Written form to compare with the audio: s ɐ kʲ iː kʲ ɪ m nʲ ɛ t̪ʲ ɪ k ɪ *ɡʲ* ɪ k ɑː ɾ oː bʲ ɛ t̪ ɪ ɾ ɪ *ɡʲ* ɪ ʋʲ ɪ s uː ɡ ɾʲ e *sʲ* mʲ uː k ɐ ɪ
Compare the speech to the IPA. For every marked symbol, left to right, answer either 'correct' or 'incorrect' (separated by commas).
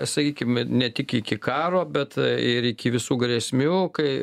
incorrect, incorrect, correct